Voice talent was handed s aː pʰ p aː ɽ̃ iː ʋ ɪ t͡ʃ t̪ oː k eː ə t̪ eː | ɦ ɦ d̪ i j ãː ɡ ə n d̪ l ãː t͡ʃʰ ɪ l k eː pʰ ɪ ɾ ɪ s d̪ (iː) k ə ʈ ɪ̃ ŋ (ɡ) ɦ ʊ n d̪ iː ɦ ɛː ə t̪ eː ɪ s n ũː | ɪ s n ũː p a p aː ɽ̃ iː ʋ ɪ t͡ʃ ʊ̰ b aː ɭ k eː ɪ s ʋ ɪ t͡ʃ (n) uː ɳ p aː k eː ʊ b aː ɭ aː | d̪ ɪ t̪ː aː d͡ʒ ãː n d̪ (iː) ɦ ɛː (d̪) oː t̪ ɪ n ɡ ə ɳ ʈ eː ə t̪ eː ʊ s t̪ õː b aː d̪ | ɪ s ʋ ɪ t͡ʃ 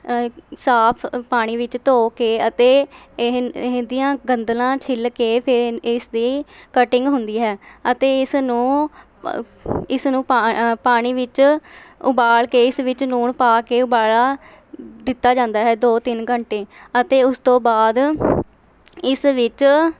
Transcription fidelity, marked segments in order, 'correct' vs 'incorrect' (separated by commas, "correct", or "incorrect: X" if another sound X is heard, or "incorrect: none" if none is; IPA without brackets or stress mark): correct, correct, correct, incorrect: aː, correct